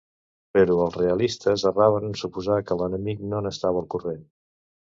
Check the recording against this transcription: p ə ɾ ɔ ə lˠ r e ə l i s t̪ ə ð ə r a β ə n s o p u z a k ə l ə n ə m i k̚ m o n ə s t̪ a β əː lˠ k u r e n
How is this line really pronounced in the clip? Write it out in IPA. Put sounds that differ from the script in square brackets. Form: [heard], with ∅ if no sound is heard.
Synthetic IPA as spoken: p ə ɾ [u] ə lˠ r e ə l i s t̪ ə [z] ə r a β ə n s [u] p u z a k ə l ə n ə m i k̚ [n] o n ə s t̪ a β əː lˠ k u r e n